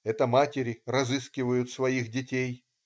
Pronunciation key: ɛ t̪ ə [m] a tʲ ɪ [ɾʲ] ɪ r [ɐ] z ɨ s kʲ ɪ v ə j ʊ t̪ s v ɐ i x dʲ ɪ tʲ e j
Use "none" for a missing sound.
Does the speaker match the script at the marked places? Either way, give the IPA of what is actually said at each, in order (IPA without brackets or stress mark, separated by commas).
m, ɾʲ, ɐ